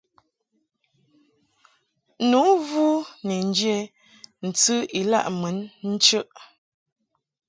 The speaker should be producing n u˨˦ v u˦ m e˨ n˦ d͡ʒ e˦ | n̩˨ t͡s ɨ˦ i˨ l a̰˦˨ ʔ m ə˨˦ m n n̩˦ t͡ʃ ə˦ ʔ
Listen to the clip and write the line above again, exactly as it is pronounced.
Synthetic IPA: n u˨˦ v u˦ n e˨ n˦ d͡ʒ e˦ | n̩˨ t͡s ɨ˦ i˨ l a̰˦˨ ʔ m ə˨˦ n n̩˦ t͡ʃ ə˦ ʔ